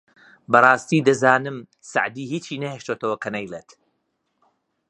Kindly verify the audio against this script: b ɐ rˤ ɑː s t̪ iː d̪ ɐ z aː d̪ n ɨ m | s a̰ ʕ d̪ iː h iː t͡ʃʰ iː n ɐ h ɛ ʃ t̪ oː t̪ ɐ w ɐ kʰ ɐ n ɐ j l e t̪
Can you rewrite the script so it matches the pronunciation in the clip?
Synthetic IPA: b ɐ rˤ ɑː s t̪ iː d̪ ɐ z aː n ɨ m | s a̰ ʕ d̪ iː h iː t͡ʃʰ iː n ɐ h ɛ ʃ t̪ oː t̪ ɐ w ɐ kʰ ɐ n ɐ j l e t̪